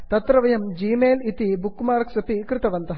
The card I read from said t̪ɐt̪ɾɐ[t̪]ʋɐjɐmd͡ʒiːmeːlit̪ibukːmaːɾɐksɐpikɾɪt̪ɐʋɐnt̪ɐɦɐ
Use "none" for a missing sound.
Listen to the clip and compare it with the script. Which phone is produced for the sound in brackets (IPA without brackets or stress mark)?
none